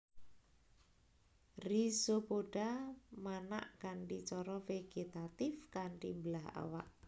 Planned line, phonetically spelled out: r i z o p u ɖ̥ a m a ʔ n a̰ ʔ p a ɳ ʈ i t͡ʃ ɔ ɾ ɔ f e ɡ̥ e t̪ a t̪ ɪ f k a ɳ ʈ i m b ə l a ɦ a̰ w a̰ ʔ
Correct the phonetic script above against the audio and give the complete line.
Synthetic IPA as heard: r i s o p o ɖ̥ a m a n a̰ ʔ k a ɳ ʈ i t͡ʃ ɔ ɾ ɔ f e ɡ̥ e t̪ a t̪ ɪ f k a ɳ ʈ i m b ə l a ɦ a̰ w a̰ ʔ